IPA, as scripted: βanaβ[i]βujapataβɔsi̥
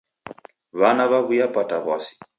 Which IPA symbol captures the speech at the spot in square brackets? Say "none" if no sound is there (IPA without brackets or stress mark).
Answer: a